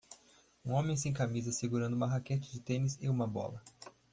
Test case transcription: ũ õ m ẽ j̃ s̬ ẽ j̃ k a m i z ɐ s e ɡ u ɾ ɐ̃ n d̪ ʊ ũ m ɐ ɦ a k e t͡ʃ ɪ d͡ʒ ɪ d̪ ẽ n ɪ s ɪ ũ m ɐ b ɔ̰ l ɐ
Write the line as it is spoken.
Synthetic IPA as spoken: ũ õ m ẽ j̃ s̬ ẽ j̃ k a m i z ɐ s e ɡ u ɾ ɐ̃ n d̪ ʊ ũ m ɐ ɦ a k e t͡ʃ ɪ d͡ʒ ɪ t̪ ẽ n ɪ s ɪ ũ m ɐ b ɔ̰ l ɐ